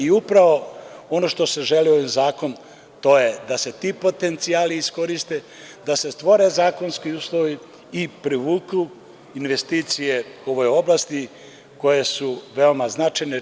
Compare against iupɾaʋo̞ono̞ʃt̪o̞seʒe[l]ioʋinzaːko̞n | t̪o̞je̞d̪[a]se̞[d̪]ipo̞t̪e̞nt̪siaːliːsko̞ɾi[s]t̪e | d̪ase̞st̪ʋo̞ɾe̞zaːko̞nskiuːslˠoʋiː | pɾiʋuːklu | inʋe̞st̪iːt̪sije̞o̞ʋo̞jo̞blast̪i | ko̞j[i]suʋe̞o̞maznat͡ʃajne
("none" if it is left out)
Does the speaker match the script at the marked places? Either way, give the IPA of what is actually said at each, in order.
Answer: l, a, t̪, s, e

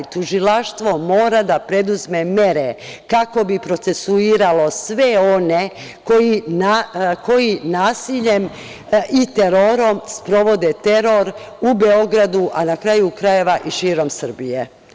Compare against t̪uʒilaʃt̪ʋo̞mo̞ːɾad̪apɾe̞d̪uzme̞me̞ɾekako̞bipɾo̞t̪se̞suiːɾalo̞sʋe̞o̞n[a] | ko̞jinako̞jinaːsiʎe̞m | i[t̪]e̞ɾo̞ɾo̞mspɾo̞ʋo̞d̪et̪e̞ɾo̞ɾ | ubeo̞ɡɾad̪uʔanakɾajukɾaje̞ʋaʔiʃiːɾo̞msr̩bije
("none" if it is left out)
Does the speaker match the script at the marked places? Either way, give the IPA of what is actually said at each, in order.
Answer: e, t̪

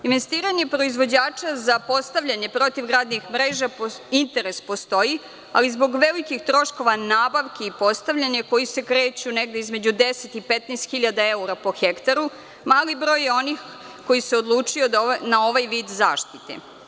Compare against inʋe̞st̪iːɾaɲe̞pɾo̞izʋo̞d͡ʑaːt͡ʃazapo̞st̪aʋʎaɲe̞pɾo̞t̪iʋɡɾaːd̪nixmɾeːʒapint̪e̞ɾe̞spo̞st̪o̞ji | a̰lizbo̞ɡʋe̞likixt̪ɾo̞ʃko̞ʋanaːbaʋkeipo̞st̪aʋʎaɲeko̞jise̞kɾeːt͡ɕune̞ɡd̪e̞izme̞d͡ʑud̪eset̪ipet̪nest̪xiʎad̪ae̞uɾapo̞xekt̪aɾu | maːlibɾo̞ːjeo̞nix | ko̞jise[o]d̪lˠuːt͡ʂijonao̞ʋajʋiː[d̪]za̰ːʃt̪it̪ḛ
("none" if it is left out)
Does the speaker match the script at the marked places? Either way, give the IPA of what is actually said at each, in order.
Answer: o, d̪

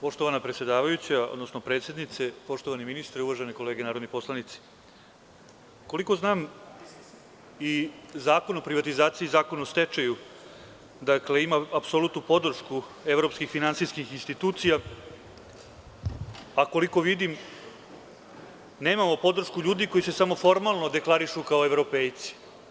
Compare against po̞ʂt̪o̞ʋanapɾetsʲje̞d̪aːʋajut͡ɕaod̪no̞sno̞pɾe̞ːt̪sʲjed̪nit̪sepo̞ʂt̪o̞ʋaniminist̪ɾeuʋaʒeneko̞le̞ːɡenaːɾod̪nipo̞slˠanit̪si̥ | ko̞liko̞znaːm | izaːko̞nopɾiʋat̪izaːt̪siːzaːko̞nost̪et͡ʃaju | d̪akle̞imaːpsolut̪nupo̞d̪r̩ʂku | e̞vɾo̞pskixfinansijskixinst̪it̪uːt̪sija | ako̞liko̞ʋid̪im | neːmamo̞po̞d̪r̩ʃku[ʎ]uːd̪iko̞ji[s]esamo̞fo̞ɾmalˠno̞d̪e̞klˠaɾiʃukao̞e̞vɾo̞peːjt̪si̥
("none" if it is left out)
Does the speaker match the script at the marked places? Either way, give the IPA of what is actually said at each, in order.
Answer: ʎ, s

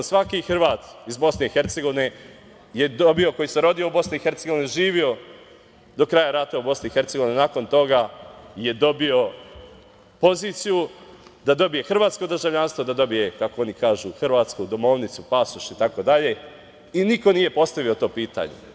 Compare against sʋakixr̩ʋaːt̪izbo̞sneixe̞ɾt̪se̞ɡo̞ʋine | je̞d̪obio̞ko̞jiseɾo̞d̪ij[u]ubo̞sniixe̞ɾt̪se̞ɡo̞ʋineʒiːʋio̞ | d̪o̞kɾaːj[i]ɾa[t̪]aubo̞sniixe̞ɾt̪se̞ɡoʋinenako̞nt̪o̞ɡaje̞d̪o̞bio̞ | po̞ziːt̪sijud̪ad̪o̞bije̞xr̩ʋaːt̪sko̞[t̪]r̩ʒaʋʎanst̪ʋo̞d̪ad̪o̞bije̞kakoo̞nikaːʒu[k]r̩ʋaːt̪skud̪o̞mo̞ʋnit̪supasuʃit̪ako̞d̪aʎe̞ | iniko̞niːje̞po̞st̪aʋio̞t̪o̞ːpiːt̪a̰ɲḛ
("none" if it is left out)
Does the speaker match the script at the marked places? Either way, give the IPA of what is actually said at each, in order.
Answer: o, a, t̪, d̪, x

